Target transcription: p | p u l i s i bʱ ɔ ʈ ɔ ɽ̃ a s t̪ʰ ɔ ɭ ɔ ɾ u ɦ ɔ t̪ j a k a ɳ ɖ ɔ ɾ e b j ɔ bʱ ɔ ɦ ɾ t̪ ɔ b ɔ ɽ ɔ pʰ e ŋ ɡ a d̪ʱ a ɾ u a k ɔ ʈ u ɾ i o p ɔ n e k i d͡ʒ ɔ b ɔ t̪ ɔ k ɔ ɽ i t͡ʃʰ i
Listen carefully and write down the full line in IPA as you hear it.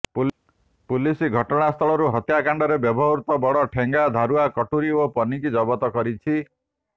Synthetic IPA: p | p u l i s i ɡʱ ɔ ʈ ɔ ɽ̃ a s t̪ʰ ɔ ɭ ɔ ɾ u ɦ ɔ t̪ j a k a ɳ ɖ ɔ ɾ e b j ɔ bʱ ɔ ɦ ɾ t̪ ɔ b ɔ ɽ ɔ ʈʰ e ŋ ɡ a d̪ʱ a ɾ u a k ɔ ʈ u ɾ i o p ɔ n i k i d͡ʒ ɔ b ɔ t̪ ɔ k ɔ ɾ i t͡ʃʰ i